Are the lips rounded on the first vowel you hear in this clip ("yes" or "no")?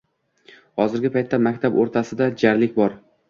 yes